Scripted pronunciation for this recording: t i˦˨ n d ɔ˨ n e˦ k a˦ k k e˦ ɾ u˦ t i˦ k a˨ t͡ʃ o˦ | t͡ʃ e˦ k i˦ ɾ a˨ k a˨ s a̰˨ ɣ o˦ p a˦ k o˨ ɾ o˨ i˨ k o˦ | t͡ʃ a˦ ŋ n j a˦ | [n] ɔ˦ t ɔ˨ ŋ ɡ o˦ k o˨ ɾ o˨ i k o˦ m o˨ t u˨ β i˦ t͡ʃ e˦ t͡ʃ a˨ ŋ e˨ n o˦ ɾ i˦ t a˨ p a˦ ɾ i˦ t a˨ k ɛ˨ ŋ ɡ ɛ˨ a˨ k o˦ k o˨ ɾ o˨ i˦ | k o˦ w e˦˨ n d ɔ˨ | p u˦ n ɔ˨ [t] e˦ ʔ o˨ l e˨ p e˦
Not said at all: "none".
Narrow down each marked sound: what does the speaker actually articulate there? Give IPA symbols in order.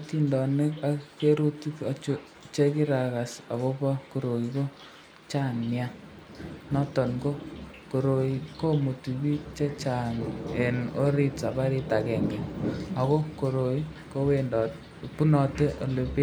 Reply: n, t

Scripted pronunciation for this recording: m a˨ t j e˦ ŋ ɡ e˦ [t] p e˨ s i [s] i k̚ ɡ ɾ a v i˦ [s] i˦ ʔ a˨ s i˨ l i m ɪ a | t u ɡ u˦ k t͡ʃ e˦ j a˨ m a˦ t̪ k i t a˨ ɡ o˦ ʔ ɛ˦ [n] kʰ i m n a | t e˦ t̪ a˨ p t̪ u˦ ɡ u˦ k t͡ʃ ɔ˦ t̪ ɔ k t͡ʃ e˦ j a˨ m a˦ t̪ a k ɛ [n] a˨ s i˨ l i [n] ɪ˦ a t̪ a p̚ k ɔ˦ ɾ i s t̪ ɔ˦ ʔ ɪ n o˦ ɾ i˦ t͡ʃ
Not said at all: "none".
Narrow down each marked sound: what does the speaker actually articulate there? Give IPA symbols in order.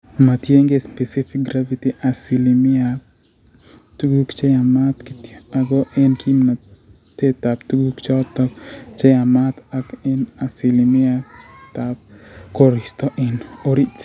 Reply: s, f, t, n, n, m

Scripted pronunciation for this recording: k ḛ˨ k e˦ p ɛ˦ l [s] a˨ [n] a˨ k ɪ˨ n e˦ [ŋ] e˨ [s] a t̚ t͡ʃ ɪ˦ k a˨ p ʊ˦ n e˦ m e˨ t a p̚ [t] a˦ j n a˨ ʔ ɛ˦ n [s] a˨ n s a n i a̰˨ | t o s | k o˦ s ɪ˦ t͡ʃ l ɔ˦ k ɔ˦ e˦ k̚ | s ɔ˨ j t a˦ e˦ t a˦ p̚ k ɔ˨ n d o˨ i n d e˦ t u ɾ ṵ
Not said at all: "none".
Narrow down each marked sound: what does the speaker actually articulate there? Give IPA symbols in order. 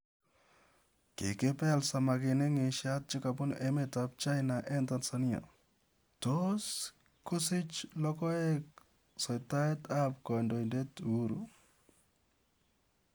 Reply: s, m, ŋ, ʃ, t͡ʃ, t

